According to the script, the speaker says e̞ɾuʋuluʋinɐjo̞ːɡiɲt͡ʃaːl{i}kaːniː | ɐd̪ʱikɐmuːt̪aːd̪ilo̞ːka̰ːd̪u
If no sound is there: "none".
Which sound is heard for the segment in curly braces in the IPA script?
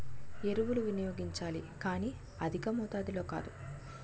i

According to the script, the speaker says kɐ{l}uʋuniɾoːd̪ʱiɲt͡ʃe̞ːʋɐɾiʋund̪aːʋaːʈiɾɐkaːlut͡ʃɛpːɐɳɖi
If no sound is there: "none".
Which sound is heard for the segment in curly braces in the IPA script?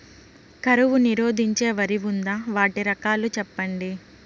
ɾ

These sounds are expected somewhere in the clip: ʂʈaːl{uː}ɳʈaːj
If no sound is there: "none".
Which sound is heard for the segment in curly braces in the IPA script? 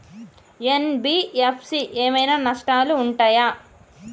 uː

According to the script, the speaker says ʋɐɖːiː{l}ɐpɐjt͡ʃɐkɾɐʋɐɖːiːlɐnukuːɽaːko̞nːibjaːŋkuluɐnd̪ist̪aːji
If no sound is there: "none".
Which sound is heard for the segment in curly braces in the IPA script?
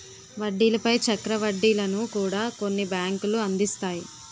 l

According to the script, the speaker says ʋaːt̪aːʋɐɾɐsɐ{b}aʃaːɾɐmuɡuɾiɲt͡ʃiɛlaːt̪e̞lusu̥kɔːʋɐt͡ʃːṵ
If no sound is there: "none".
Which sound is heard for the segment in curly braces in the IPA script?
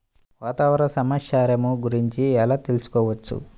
m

